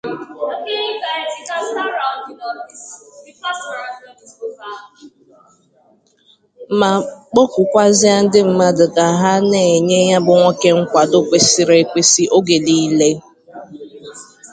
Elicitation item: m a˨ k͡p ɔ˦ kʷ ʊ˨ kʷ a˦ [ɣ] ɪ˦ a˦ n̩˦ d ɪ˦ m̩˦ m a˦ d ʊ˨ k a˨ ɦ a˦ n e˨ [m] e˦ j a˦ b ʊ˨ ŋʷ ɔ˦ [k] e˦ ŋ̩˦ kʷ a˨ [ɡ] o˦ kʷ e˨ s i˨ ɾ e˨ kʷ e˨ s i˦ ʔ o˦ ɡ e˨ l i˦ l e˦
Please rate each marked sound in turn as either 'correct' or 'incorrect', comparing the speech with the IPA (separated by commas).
incorrect, incorrect, correct, incorrect